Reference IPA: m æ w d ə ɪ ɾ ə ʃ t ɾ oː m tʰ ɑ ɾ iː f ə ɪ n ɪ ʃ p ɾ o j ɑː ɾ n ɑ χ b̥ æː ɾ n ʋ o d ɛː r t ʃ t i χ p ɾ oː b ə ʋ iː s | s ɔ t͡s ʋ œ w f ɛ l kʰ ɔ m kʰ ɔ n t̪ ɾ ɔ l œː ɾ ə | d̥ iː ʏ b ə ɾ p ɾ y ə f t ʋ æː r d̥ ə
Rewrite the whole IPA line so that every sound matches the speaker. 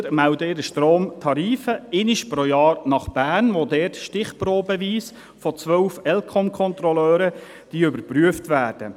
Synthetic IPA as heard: m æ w d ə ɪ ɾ ə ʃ t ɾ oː m tʰ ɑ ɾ iː f ə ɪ n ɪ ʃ p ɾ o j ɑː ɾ n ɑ χ b̥ æː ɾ n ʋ o d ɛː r t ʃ t ɪ χ p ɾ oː b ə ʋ iː s | f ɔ t͡s ʋ œ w f ɛ l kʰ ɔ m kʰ ɔ n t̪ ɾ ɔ l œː ɾ ə | d̥ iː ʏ b ə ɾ p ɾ y ə f t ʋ æː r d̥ ə